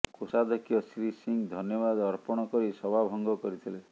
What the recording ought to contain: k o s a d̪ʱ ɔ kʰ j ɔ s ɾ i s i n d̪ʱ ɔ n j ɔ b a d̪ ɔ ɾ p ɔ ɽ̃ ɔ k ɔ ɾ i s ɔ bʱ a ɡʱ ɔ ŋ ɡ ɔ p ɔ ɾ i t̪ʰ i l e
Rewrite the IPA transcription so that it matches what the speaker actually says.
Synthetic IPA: k o s a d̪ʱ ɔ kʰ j ɔ s ɾ i s i ŋ d̪ʱ ɔ n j ɔ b a d̪ ɔ ɾ p ɔ ɽ̃ ɔ k ɔ ɾ i s ɔ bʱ a bʱ ɔ ŋ ɡ ɔ k ɔ ɾ i t̪ʰ i l e